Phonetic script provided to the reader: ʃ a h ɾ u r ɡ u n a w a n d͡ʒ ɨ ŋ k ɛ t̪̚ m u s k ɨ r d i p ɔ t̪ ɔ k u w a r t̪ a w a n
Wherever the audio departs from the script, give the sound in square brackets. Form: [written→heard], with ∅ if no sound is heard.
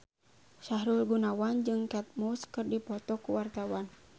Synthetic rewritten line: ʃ a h ɾ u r ɡ u n a w a n d͡ʒ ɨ ŋ k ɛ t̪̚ m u s k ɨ r d i p ɔ t̪ ɔ k u w a r t̪ a w a n

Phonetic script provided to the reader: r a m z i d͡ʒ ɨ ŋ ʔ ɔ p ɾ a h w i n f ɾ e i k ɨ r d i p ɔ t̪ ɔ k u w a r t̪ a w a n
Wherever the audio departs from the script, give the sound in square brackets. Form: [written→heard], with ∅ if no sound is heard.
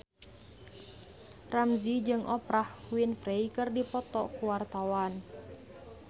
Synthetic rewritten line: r a m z i d͡ʒ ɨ ŋ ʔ ɔ p ɾ a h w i n f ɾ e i k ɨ r d i p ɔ t̪ ɔ k u w a r t̪ a w a n

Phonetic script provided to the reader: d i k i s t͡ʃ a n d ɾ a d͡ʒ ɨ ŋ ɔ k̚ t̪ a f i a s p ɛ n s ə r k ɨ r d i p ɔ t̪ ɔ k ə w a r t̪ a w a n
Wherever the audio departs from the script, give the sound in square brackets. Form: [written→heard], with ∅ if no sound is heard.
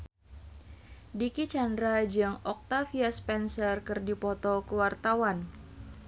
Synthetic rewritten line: d i k i [s→∅] t͡ʃ a n d ɾ a d͡ʒ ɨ ŋ ɔ k̚ t̪ a f i a s p ɛ n s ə r k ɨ r d i p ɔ t̪ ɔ k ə w a r t̪ a w a n

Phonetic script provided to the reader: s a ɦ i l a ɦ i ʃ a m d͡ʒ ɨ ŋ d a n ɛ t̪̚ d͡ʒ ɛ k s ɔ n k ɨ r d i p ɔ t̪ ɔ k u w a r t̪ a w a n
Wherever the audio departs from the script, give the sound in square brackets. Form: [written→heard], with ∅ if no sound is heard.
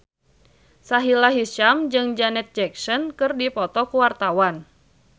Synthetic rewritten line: s a ɦ i l a ɦ i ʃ a m d͡ʒ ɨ ŋ [d→d͡ʒ] a n ɛ t̪̚ d͡ʒ ɛ k s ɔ n k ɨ r d i p ɔ t̪ ɔ k u w a r t̪ a w a n

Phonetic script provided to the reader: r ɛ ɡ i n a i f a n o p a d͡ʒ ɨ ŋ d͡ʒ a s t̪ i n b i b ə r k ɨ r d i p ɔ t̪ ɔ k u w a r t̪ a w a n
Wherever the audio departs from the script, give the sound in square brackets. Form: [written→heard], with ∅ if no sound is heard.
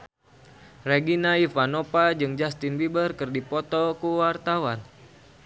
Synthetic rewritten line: r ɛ ɡ i n a i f a n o p a d͡ʒ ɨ ŋ d͡ʒ a s t̪ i n b i b ə r k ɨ r d i p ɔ t̪ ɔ k u w a r t̪ a w a n

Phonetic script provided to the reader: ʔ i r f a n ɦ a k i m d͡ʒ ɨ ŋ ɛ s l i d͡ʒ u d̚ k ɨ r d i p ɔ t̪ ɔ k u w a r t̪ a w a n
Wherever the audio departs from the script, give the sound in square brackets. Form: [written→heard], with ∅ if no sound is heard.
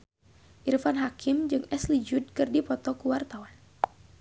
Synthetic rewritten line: ʔ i r f a n ɦ a k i m d͡ʒ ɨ ŋ ɛ s l i d͡ʒ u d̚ k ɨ r d i p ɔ t̪ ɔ k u w a r t̪ a w a n

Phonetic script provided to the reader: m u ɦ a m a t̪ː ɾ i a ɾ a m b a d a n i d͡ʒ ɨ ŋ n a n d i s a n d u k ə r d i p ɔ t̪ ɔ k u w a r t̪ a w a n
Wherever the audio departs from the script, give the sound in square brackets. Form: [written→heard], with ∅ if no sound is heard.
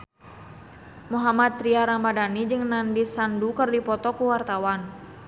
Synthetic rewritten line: m u ɦ a m a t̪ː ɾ i a ɾ a m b a d a n i d͡ʒ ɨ ŋ n a n d i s a n d u k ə r d i p ɔ t̪ ɔ k u w a r t̪ a w a n

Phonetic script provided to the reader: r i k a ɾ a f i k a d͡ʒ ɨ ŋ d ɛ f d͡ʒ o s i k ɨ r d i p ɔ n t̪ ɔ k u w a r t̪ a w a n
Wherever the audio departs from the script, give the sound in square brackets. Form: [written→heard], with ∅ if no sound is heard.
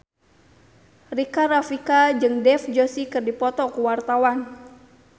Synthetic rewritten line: r i k a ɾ a f i k a d͡ʒ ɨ ŋ d ɛ f d͡ʒ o s i k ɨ r d i p ɔ [n→∅] t̪ ɔ k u w a r t̪ a w a n

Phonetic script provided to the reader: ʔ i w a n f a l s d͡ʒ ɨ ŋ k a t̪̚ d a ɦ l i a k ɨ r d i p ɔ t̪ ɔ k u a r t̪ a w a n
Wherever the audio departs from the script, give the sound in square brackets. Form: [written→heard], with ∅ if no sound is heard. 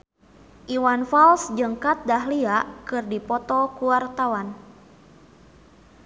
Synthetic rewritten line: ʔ i w a n f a l s d͡ʒ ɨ ŋ k a t̪̚ d a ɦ l i a k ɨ r d i p ɔ t̪ ɔ k u a r t̪ a w a n

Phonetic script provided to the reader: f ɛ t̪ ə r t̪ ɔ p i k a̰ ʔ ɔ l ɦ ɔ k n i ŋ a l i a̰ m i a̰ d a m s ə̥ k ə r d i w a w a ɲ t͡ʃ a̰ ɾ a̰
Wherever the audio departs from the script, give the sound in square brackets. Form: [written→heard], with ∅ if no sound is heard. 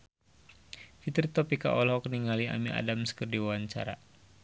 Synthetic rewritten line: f [ɛ→i] t̪ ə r t̪ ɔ p i k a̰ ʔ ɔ l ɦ ɔ k n i ŋ a l i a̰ m i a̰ d a m s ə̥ k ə r d i w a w a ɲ t͡ʃ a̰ ɾ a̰

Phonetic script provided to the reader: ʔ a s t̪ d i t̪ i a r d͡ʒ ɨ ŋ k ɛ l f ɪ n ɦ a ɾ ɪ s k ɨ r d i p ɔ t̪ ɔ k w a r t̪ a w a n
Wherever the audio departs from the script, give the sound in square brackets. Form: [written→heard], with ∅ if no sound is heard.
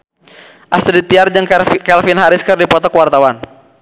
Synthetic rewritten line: ʔ a s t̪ d i t̪ i a r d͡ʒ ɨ ŋ k ɛ l f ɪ n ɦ a ɾ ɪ s k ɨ r d i p ɔ t̪ ɔ k w a r t̪ a w a n

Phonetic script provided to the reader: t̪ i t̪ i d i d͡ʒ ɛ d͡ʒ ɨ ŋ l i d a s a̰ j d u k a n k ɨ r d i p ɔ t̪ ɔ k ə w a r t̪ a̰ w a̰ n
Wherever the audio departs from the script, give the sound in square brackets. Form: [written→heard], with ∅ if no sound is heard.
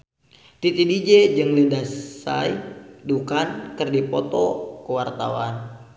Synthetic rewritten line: t̪ i t̪ i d i d͡ʒ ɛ d͡ʒ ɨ ŋ l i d a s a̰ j d u k a n k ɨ r d i p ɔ t̪ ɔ k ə w a r t̪ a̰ w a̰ n

